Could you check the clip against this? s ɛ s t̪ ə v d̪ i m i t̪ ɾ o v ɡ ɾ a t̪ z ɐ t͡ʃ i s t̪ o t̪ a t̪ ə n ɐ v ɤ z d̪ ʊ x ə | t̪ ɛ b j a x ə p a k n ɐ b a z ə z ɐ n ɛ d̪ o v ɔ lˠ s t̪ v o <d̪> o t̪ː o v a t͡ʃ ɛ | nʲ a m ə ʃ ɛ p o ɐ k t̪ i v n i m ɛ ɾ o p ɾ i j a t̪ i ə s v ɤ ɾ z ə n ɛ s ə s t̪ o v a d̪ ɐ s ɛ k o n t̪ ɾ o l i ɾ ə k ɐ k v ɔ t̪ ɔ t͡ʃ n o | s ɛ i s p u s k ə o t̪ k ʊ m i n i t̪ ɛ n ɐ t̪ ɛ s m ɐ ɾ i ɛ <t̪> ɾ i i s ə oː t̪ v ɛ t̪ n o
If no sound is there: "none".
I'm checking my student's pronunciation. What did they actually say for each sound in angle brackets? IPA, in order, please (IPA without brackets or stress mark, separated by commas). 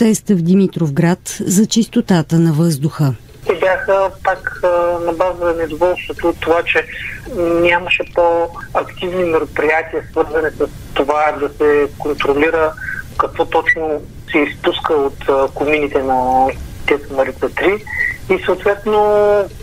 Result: t̪, t̪